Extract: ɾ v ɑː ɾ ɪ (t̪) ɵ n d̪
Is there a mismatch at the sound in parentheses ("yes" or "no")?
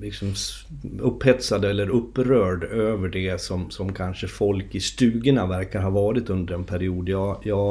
no